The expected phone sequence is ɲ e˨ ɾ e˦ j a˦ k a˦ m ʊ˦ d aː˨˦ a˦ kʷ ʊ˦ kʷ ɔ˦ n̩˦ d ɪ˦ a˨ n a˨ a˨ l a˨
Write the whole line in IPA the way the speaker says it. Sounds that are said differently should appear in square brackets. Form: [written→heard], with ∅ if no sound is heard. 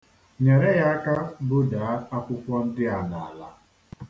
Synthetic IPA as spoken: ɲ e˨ ɾ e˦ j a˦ k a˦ [m→b] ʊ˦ d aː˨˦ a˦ kʷ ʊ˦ kʷ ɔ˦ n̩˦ d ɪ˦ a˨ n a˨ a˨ l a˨